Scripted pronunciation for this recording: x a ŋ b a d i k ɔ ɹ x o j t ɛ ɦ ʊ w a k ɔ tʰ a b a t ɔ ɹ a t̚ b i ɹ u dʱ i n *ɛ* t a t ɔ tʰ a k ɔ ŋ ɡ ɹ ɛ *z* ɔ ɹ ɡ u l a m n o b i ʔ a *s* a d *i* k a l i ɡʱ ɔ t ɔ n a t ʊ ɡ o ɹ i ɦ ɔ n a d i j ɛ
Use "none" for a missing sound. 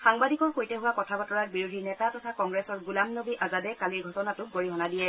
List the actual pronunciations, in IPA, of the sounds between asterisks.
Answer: ɛ, s, z, ɛ

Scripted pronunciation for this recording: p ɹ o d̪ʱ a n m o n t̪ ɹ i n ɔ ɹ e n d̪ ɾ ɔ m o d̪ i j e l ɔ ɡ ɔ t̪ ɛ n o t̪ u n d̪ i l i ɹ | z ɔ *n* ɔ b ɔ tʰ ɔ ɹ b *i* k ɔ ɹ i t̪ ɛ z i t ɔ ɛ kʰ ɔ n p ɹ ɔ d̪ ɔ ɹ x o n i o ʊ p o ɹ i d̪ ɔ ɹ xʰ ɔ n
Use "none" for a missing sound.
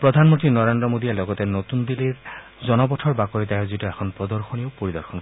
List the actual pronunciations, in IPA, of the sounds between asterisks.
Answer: n, a

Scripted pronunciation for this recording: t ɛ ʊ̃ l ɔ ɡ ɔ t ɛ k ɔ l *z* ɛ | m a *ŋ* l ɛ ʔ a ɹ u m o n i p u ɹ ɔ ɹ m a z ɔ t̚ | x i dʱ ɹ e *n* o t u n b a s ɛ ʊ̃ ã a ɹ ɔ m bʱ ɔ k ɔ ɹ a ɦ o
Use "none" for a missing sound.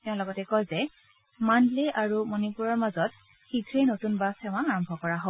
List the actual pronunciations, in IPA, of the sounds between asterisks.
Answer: z, n, n

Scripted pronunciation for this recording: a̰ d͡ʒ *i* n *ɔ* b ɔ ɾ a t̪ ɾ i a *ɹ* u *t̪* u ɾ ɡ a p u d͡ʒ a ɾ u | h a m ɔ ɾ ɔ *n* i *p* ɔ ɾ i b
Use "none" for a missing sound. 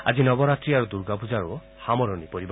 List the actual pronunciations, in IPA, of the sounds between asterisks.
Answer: i, ɔ, ɾ, d̪, n, p

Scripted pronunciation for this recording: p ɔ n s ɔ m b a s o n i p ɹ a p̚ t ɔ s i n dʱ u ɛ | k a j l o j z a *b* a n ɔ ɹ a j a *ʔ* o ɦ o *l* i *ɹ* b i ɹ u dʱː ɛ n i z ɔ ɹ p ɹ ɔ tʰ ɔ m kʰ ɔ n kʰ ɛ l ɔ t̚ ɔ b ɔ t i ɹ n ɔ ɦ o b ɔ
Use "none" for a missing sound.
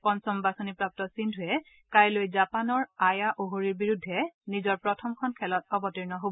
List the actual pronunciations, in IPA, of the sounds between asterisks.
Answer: p, ʔ, ɹ, ɹ

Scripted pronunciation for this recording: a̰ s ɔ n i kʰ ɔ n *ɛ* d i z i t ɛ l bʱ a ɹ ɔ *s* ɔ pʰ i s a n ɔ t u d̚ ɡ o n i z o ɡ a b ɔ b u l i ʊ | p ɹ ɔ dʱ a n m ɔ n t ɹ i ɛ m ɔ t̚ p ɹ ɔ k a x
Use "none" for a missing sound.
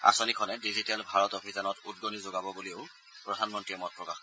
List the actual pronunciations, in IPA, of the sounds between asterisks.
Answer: ɛ, t

